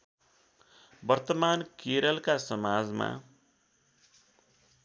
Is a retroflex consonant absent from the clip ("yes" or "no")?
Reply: yes